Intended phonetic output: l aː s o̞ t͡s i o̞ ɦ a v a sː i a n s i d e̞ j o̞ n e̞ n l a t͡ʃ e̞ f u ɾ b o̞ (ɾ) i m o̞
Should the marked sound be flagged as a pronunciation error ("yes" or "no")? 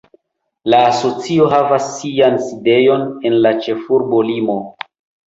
yes